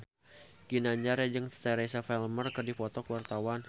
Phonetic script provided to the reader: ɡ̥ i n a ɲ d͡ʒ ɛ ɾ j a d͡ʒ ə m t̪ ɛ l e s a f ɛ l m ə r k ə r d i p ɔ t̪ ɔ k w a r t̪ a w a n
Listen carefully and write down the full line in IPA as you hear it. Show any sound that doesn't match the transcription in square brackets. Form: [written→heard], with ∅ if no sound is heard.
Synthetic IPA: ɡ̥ i n a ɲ d͡ʒ [ɛ→a] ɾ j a d͡ʒ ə [m→ŋ] t̪ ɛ [l→ɾ] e s a f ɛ l m ə r k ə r d i p ɔ t̪ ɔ k w a r t̪ a w a n